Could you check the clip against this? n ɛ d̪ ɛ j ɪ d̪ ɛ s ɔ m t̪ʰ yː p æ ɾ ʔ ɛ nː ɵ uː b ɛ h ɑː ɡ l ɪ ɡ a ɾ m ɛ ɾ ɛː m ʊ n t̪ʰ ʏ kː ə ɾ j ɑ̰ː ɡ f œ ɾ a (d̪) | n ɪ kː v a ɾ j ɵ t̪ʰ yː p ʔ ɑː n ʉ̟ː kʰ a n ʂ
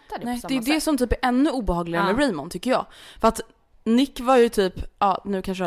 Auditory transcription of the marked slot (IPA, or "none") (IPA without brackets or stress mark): t̪